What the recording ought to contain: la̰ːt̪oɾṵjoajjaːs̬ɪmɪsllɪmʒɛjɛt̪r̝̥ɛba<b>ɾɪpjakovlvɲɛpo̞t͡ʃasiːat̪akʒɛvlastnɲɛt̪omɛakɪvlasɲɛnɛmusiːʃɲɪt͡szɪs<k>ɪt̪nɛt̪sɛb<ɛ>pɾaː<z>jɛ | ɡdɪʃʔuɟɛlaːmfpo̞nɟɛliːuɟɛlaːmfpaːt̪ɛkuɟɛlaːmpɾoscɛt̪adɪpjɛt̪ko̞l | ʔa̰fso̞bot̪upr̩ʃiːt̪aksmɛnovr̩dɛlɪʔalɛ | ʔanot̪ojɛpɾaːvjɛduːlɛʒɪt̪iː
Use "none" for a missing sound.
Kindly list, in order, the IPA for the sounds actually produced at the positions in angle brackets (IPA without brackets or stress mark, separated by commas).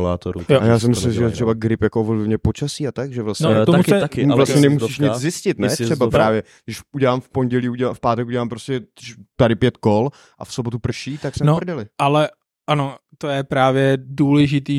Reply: ɡ, c, a, v